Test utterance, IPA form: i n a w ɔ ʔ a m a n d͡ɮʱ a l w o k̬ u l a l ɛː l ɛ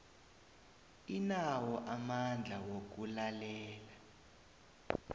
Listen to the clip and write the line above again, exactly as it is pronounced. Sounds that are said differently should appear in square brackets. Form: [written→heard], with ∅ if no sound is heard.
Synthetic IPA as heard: i n a w ɔ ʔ a m a n d͡ɮʱ a [l→∅] w o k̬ u l a l ɛː l [ɛ→a]